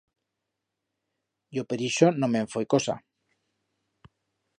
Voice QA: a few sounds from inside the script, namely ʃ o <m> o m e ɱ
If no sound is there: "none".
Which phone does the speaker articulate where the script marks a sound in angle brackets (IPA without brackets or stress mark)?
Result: n